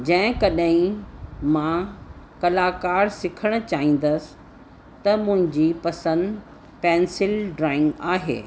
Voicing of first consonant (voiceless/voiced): voiced